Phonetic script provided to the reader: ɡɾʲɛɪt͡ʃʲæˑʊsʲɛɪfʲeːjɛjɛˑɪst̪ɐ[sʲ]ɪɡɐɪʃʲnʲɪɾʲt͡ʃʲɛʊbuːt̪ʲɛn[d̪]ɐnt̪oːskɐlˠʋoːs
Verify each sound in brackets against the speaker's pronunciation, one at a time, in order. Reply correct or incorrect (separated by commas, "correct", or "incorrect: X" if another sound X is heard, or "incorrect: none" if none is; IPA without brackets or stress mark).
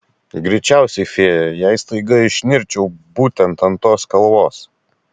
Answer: incorrect: none, incorrect: t̪